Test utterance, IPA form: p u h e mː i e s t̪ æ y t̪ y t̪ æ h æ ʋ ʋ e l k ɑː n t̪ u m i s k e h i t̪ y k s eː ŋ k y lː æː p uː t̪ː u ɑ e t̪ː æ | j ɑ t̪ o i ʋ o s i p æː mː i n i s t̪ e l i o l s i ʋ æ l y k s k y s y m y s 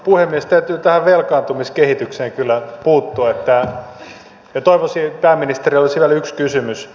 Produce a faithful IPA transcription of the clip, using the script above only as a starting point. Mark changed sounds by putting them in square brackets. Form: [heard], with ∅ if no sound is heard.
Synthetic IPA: p u h e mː i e s t̪ æ y t̪ [yː] t̪ æ h æ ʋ ʋ e l k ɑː n t̪ u m i s k e h i t̪ y k s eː ŋ k y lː [æ] p uː t̪ː u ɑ e t̪ː æ | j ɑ t̪ o i ʋ o s i p æː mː i n i s t̪ e [r] i o l s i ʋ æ l y k s k y s y m y s